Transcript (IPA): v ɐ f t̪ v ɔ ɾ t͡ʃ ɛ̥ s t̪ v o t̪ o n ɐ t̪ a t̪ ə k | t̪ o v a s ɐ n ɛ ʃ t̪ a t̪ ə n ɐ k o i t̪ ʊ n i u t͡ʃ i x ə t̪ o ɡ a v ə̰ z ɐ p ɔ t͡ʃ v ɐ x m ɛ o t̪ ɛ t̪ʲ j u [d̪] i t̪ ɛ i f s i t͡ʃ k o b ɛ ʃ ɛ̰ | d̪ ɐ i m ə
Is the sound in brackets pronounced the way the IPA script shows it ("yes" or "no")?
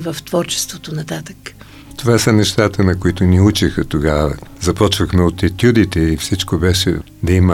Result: yes